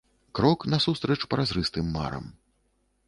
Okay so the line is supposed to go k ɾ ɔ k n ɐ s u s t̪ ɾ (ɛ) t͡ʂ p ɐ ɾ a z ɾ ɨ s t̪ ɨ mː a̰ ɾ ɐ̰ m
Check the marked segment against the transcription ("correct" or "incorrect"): correct